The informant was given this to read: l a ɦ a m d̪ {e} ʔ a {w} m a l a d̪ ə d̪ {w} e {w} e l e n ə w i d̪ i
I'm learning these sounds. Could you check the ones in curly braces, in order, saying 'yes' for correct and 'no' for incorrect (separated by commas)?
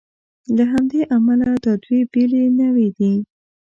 yes, no, yes, no